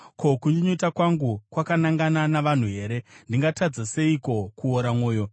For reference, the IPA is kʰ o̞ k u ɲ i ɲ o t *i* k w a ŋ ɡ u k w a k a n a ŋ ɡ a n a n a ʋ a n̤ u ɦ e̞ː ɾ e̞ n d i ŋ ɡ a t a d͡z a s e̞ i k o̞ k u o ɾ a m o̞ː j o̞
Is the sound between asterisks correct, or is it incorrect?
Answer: incorrect